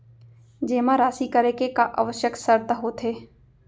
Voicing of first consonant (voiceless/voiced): voiced